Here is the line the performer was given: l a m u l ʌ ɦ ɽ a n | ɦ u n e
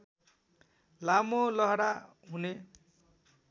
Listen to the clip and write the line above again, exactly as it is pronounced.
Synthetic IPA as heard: l a m o l ʌ ɦ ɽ a | ɦ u n e